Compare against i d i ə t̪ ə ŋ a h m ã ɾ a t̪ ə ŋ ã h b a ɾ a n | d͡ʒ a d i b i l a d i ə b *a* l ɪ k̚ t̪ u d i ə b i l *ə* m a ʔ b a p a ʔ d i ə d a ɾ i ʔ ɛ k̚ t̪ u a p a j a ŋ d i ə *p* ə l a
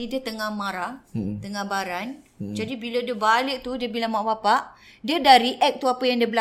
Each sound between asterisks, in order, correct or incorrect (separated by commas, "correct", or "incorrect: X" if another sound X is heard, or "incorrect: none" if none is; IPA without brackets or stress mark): correct, incorrect: a, incorrect: b